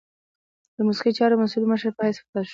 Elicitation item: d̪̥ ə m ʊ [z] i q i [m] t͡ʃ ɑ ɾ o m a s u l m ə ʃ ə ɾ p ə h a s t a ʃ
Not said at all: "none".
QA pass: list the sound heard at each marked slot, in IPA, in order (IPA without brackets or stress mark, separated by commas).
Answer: s, none